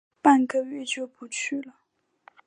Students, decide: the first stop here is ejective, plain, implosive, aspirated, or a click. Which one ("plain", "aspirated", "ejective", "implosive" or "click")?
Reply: plain